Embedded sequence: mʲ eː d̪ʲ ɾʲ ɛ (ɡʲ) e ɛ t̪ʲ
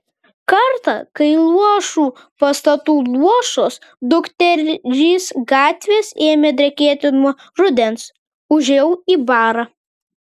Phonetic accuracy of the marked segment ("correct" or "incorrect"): incorrect